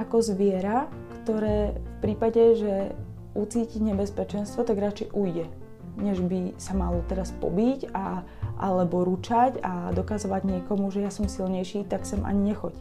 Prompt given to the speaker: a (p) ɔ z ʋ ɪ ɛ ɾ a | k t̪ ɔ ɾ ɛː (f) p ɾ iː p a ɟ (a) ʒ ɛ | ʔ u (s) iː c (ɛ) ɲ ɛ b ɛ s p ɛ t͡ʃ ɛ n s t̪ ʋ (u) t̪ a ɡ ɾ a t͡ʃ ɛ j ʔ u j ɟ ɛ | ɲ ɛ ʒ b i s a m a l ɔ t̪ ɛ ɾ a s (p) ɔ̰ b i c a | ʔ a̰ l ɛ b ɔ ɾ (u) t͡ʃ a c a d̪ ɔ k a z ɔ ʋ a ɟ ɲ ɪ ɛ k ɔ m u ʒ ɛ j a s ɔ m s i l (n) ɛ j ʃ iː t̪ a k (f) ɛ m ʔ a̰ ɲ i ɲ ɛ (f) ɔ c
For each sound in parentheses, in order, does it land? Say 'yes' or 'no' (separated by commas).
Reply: no, yes, no, no, no, no, yes, yes, no, no, no